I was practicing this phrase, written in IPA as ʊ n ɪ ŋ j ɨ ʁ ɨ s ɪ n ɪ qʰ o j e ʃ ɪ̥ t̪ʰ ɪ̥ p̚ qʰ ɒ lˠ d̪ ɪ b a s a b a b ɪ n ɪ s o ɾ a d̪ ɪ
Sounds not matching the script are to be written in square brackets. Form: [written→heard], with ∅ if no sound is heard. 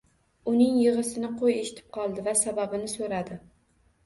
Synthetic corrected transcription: ʊ n ɪ ŋ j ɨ ʁ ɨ s ɪ n ɪ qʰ o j e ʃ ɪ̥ t̪ʰ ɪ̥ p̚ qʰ ɒ lˠ d̪ ɪ [b→v] a s a b a b ɪ n ɪ s o ɾ a d̪ ɪ